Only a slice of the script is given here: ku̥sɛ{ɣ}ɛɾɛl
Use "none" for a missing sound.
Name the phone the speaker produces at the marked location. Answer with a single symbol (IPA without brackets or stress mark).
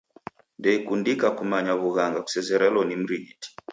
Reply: z